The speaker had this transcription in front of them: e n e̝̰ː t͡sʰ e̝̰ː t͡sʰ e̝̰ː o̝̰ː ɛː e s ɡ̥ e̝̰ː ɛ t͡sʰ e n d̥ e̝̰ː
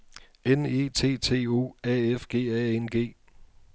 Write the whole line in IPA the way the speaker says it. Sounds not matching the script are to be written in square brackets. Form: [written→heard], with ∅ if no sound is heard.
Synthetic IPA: e n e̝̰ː t͡sʰ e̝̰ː t͡sʰ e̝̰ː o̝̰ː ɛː e [s→f] ɡ̥ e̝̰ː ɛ [t͡sʰ→∅] e n [d̥→ɡ̥] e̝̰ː